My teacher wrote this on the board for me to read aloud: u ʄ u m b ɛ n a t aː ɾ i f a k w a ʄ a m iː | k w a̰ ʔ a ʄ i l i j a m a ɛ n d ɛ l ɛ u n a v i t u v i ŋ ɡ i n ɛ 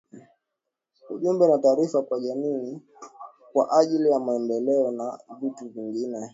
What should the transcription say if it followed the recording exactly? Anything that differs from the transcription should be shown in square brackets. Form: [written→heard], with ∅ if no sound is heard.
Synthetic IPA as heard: u ʄ u m b ɛ n a t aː ɾ i f a k w a ʄ a m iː | k w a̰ ʔ a ʄ i l i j a m a ɛ n d ɛ l ɛ [u→ɔ] n a v i t u v i ŋ ɡ i n ɛ